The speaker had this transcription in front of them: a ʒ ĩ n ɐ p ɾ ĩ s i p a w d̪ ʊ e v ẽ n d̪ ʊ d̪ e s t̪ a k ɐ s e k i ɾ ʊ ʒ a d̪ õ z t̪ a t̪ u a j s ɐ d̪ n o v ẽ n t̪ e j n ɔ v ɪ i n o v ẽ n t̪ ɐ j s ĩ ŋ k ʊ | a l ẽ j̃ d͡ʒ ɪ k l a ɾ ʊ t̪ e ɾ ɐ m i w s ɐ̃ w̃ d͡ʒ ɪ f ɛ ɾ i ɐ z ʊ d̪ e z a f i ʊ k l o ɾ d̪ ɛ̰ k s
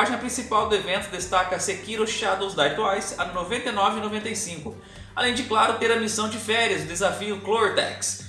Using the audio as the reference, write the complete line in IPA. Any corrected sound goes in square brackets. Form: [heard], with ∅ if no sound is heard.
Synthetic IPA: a ʒ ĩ n ɐ p ɾ ĩ s i p a w d̪ ʊ e v ẽ n [t̪] ʊ d̪ e s t̪ a k ɐ s e k i ɾ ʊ [ʃ] a d̪ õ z [d̪] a t̪ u a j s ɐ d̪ n o v ẽ n t̪ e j n ɔ v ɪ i n o v ẽ n t̪ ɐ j s ĩ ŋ k ʊ | a l ẽ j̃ d͡ʒ ɪ k l a ɾ ʊ t̪ e ɾ ɐ m i [∅] s ɐ̃ w̃ d͡ʒ ɪ f ɛ ɾ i ɐ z ʊ d̪ e z a f i ʊ k l o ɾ d̪ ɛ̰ k s